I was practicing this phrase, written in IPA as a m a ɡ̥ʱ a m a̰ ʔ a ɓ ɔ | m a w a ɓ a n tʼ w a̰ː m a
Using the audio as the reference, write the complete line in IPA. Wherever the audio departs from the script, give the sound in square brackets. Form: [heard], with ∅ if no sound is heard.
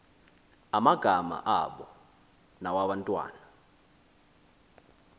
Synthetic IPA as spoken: a m a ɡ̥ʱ a m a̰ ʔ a ɓ ɔ | [n] a w a ɓ a n tʼ w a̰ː [n] a